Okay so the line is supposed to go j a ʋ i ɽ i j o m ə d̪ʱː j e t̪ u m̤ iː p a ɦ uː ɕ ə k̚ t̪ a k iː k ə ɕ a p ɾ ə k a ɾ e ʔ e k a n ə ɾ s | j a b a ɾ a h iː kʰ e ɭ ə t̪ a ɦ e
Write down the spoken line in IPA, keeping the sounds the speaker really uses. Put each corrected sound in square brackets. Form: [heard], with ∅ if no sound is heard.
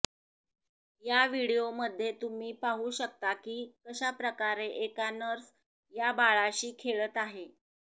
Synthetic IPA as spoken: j a ʋ i ɽ i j o m ə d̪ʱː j e t̪ u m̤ iː p a ɦ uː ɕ ə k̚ t̪ a k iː k ə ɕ a p ɾ ə k a ɾ e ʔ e k a n ə ɾ s | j a b a [ɭ] a [ɕ] iː kʰ e ɭ ə t̪ a ɦ e